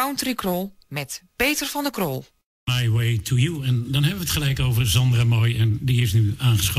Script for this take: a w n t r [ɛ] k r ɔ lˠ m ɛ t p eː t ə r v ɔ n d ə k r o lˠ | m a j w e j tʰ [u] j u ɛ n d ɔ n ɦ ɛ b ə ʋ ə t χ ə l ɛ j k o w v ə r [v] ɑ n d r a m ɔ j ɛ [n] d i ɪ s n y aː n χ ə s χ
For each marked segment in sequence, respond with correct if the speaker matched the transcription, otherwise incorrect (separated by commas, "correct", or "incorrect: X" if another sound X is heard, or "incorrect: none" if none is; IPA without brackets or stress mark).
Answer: incorrect: i, correct, incorrect: z, correct